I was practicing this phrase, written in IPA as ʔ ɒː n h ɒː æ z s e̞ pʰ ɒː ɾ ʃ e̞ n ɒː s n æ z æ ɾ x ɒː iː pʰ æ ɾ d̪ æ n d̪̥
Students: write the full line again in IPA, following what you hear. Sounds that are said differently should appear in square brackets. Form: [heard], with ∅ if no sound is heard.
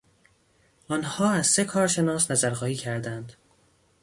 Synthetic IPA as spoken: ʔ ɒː n h ɒː æ z s e̞ [kʰ] ɒː ɾ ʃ e̞ n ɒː s n æ z æ ɾ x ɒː iː [cʰ] æ ɾ d̪ æ n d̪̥